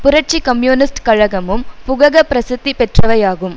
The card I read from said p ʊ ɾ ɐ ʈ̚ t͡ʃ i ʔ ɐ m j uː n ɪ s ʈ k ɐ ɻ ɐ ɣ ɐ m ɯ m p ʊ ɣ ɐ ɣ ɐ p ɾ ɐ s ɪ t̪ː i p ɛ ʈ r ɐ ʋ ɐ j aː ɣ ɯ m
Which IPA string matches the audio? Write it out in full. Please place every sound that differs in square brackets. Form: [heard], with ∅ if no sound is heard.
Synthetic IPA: p ʊ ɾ ɐ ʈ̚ t͡ʃ i [k] ɐ m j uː n ɪ s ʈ k ɐ ɻ ɐ ɣ ɐ m ɯ m p ʊ ɣ ɐ ɣ ɐ p ɾ ɐ s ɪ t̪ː i p ɛ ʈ r ɐ ʋ ɐ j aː ɣ ɯ m